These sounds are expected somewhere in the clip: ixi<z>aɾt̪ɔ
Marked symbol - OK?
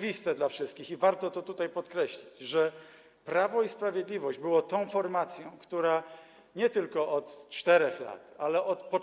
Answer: no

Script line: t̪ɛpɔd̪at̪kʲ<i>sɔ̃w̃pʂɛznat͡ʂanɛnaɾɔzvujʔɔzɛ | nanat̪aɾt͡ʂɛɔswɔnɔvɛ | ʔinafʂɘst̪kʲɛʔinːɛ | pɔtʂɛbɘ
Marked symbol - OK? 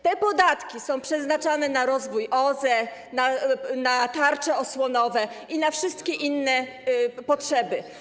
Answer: yes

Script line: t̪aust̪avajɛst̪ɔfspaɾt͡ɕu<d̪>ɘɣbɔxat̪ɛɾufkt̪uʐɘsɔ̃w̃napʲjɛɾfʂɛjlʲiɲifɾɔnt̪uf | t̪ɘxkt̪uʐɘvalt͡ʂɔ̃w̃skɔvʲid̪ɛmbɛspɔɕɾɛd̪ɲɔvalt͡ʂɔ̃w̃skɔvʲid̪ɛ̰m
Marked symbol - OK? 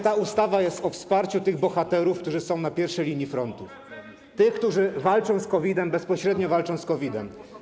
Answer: no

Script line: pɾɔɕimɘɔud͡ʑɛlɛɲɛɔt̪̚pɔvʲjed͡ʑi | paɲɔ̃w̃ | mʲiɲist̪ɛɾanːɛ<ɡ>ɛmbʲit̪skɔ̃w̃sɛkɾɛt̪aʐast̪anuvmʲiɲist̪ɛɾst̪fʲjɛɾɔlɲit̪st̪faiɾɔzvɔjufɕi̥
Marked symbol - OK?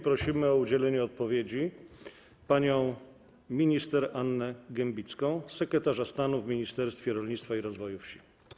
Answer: yes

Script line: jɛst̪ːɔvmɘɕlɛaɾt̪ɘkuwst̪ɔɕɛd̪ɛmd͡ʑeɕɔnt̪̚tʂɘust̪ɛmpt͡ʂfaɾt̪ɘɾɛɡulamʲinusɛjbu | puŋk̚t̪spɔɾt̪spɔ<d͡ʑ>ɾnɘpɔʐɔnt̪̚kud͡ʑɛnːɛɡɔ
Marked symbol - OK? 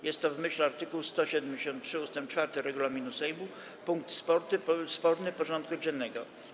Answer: no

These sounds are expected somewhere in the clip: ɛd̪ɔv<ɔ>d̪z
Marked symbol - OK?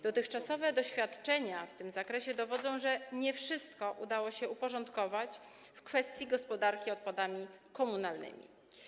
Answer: yes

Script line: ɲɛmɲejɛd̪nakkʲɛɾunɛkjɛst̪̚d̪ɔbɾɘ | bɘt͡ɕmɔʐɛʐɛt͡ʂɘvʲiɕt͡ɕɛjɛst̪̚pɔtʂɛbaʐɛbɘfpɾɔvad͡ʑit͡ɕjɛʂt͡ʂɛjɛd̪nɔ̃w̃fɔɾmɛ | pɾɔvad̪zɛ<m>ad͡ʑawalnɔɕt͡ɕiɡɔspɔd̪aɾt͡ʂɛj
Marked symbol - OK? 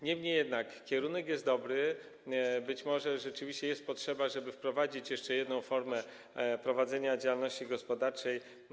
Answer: no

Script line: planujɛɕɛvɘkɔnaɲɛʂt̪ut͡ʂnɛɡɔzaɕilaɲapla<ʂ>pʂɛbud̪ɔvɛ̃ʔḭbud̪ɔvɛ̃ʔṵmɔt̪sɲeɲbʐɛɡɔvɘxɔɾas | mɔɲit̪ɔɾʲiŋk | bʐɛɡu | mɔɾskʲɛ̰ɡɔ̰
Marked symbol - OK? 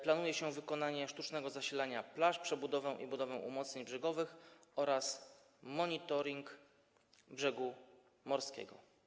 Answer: yes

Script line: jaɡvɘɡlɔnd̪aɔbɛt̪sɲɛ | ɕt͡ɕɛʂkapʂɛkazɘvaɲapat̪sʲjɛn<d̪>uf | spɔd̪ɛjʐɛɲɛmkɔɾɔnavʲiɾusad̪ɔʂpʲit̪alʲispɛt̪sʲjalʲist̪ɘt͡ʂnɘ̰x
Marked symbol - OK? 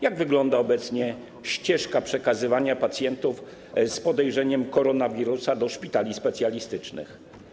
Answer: no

